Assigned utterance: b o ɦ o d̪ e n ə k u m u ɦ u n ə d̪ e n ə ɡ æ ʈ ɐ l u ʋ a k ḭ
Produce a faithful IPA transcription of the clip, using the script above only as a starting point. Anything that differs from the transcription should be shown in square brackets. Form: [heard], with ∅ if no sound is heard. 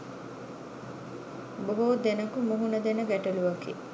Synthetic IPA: b o ɦ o d̪ e n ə k u m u ɦ u n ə d̪ e n ə ɡ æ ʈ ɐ l u ʋ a k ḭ

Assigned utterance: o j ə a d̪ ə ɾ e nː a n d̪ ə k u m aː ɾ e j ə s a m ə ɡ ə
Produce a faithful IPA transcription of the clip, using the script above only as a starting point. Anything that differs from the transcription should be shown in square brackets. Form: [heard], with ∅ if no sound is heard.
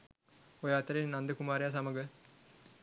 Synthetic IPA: o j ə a [t̪] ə ɾ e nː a n d̪ ə k u m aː ɾ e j [a] s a m ə ɡ ə

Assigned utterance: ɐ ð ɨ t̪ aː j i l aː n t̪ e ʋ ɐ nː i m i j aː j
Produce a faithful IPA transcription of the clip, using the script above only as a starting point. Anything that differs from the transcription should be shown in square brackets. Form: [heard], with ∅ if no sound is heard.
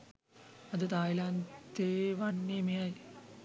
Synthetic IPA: ɐ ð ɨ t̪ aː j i l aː n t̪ e ʋ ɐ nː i m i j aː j

